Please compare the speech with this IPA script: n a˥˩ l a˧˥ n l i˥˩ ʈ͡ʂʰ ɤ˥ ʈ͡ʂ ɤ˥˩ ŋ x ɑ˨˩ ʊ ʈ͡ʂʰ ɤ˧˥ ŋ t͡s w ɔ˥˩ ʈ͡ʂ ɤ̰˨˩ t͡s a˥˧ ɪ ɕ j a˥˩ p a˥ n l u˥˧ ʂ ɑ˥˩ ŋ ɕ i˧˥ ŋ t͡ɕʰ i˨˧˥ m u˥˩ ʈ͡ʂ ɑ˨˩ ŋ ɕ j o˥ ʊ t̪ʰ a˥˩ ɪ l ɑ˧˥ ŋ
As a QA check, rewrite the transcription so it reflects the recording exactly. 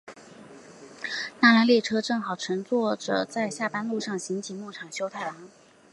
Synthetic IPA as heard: n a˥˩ l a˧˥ n l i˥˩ ʈ͡ʂʰ ɤ˥ ʈ͡ʂ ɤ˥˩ ŋ x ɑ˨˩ ʊ ʈ͡ʂʰ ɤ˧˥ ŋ t͡s w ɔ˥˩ ʈ͡ʂ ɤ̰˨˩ t͡s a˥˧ ɪ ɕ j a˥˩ p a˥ n l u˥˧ ʂ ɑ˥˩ ŋ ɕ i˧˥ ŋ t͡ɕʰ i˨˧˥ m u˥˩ ʈ͡ʂʰ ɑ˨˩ ŋ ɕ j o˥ ʊ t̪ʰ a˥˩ ɪ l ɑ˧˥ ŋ